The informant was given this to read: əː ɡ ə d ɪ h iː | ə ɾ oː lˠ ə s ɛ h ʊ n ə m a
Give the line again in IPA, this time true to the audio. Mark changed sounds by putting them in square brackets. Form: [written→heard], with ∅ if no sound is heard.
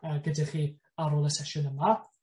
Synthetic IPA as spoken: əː ɡ ə d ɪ [h→χ] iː | [ə→a] ɾ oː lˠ ə s ɛ [h→ʃ] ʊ n ə m a